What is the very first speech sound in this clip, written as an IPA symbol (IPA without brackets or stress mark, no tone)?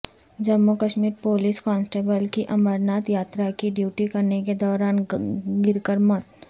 d͡ʒ